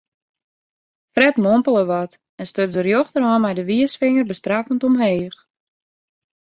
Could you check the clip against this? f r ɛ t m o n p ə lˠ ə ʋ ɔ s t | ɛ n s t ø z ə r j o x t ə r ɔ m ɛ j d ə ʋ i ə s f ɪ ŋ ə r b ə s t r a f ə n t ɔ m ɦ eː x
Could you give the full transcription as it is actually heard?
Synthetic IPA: f r ɛ t m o m p ə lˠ ə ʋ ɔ t | ɛ n s t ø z ə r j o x t ə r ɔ m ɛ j d ə ʋ i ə s f ɪ ŋ ə r b ə s t r a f ə n t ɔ m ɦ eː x